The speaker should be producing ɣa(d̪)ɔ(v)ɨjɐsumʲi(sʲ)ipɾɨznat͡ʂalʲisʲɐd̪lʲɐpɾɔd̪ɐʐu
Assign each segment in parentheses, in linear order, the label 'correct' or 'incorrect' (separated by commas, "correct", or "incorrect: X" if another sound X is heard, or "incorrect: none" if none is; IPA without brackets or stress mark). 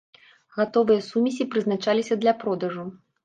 incorrect: t̪, correct, correct